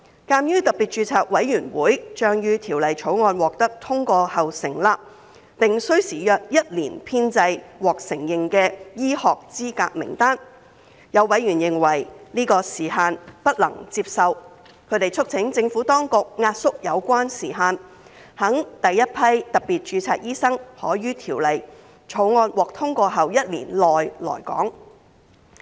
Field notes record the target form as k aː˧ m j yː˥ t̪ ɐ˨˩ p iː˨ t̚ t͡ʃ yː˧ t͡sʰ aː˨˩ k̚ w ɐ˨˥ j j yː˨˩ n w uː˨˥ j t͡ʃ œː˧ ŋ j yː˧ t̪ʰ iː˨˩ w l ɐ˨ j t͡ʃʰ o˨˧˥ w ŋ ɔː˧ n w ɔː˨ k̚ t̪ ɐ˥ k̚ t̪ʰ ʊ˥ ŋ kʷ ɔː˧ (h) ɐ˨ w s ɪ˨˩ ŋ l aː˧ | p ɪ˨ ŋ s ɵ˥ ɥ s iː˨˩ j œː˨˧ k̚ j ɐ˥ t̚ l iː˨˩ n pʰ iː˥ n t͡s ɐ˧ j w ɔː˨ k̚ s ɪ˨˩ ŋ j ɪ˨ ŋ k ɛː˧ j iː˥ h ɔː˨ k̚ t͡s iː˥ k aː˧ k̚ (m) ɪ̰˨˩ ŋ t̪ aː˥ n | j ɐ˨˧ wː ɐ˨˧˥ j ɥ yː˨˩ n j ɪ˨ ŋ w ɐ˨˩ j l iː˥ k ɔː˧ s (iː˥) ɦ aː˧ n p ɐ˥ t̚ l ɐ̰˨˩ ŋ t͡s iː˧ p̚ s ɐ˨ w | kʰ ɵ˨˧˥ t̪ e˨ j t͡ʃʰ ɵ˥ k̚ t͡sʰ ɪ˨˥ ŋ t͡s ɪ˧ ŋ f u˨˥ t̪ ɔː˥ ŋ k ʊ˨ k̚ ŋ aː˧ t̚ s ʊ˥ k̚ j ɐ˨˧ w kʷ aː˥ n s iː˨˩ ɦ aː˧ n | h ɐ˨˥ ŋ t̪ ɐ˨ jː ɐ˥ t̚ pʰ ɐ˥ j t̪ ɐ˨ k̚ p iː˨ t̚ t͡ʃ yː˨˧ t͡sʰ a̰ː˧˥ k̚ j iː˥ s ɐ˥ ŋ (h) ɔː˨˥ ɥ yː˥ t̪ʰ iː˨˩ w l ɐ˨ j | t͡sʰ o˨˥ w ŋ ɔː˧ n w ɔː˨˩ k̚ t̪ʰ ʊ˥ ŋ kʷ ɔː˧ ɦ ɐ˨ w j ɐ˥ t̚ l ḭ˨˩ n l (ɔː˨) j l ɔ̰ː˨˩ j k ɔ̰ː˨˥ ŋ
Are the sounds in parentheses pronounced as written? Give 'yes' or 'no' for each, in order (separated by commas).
yes, yes, no, yes, yes